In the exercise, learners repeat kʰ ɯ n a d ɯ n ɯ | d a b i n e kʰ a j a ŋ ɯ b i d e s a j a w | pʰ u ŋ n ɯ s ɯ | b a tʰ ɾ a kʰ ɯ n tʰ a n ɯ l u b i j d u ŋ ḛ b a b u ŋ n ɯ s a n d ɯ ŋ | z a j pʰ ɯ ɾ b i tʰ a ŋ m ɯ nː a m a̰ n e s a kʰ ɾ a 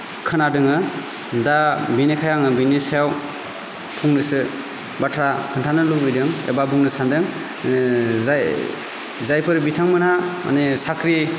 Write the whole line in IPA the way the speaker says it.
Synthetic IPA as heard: kʰ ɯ n a d ɯ ŋ ɯ | d a b i n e kʰ a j a ŋ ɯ b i n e s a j a w | pʰ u ŋ n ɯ s ɯ | b a tʰ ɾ a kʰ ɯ n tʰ a n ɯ l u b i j d ɯ ŋ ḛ b a b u ŋ n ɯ s a n d ɯ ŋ | z a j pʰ ɯ ɾ b i tʰ a ŋ m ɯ n a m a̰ n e s a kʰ ɾ i